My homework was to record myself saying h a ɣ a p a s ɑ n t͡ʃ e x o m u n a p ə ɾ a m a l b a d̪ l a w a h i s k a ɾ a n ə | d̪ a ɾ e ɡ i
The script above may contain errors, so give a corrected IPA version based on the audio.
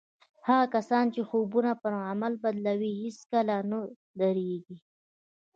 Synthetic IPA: h a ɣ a k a s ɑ n t͡ʃ e x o b u n a p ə ɾ a m a l b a d̪ l a w i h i s k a l a n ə | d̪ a ɾ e ɡ i